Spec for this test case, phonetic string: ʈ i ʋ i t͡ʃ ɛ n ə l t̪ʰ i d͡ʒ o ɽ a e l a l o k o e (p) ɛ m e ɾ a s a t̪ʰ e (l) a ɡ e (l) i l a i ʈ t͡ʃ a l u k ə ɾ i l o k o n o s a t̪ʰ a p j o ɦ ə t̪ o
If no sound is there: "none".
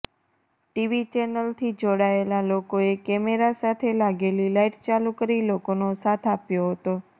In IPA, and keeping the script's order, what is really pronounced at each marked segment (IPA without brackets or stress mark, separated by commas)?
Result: k, l, l